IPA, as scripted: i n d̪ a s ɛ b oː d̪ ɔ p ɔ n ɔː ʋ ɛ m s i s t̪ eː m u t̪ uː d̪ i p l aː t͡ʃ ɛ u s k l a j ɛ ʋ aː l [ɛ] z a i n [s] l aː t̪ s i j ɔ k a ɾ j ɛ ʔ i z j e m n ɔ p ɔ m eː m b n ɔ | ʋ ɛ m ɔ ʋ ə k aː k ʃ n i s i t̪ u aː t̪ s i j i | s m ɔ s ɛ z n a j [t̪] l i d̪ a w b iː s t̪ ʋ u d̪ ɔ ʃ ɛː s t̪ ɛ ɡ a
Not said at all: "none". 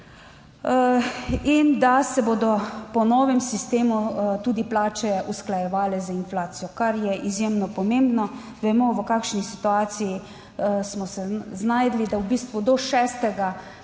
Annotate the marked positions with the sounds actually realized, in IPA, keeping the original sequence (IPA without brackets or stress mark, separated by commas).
ɛ, f, d̪